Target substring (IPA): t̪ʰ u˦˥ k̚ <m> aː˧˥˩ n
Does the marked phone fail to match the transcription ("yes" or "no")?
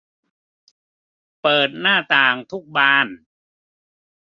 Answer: yes